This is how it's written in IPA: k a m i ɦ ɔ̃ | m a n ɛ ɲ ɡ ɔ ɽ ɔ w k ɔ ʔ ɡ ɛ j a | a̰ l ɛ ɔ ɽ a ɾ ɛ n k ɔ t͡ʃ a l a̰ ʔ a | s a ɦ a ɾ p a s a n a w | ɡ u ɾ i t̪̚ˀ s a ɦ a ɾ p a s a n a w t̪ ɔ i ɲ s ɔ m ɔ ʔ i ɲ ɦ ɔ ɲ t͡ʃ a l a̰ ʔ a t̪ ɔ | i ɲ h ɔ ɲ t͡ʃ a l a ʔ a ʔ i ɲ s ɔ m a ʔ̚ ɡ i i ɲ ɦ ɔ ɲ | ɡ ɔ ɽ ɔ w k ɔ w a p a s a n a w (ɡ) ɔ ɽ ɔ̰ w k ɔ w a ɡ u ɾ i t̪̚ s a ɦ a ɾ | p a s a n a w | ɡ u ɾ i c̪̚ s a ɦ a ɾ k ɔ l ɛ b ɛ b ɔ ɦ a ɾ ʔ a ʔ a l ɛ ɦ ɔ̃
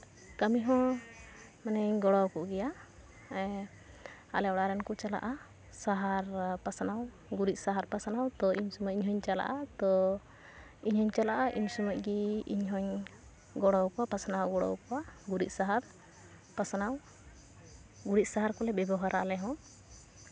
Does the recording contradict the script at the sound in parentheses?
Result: no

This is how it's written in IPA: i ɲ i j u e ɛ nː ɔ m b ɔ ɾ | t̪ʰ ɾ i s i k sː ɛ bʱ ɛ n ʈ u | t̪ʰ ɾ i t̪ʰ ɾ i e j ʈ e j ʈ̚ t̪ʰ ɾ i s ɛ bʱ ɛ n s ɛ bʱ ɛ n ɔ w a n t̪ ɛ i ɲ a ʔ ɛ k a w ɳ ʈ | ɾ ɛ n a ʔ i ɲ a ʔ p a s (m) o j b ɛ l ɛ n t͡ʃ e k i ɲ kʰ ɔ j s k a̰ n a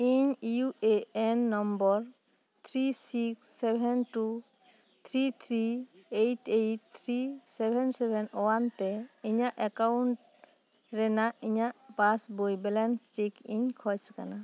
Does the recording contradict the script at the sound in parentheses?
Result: yes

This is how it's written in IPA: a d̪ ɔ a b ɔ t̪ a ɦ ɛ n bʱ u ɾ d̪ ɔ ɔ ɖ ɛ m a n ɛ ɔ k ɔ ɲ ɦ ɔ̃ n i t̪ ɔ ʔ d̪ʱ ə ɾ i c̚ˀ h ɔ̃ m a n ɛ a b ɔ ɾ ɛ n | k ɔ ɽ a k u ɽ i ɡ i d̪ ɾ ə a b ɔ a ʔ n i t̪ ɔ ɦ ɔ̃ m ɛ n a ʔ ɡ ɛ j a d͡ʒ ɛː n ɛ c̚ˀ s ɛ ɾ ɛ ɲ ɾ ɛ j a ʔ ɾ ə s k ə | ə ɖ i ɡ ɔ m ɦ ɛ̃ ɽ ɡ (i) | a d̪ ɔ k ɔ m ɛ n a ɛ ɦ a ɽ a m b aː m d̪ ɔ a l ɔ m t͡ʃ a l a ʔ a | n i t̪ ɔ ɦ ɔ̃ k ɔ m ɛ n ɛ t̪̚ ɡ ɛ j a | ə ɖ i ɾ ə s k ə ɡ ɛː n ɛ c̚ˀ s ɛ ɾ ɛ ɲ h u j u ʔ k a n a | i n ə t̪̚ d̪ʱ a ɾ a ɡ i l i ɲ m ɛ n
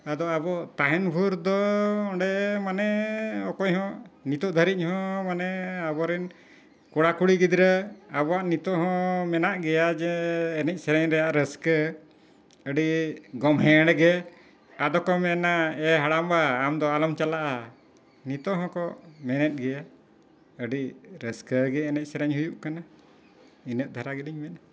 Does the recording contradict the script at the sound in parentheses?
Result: yes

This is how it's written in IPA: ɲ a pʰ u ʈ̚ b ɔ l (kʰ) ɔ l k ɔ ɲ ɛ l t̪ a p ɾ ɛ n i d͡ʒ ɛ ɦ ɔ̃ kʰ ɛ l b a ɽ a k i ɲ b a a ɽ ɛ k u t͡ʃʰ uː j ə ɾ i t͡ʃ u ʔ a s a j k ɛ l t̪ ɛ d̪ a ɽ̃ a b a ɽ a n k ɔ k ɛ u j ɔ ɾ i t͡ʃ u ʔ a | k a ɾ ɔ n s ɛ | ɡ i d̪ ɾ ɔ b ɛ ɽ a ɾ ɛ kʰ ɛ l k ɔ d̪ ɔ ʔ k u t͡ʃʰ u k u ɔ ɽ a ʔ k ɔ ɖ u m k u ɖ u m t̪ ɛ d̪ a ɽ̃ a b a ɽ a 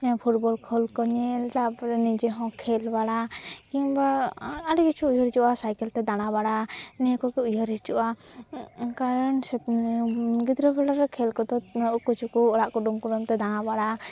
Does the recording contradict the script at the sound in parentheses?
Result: no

